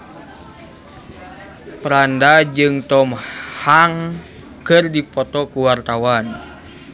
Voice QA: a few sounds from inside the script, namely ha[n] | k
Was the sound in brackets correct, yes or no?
no